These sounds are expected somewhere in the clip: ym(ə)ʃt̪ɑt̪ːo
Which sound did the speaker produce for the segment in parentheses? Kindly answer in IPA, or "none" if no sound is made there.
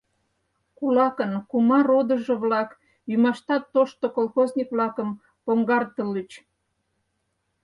ɑ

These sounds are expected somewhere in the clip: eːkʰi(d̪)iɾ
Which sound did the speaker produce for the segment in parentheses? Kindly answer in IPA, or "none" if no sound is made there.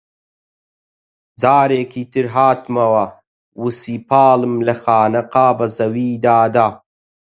t̪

